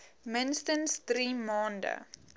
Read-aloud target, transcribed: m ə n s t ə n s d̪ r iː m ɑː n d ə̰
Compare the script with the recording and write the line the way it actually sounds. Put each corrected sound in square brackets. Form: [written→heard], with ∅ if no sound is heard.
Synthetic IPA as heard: m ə n s t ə n s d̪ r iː m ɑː n d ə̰